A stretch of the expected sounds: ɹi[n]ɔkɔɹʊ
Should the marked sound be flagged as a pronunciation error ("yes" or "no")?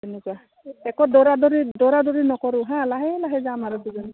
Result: no